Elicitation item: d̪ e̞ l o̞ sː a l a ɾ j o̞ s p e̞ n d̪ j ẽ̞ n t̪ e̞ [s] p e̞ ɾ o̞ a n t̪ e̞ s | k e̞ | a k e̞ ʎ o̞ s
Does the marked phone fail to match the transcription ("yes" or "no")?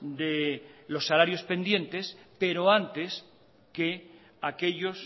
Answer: no